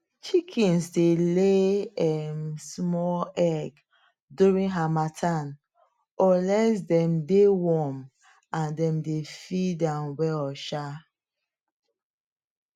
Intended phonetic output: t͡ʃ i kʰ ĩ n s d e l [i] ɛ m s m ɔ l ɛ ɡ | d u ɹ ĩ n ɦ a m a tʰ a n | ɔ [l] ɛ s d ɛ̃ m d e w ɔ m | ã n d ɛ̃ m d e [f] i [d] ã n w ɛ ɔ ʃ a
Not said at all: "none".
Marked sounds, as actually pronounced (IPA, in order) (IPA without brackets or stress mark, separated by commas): e, l, f, d